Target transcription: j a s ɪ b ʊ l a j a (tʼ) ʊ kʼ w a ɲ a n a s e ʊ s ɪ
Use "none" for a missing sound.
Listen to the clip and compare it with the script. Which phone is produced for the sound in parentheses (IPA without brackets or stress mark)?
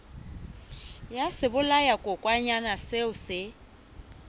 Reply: kʼ